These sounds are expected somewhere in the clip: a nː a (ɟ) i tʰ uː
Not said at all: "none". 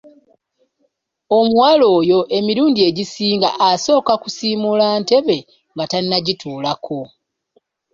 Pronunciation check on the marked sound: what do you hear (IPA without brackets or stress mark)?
ɟ